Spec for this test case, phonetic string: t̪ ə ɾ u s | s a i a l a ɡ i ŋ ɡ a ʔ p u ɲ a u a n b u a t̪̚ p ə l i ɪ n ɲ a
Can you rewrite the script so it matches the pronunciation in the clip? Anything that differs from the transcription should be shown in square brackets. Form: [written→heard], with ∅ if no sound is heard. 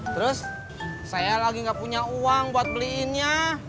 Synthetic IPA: t̪ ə ɾ [u→ʊ] s | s a [i→j] a l a ɡ i ŋ ɡ a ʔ p u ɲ a u a [n→ŋ] b u a t̪̚ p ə l i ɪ n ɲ a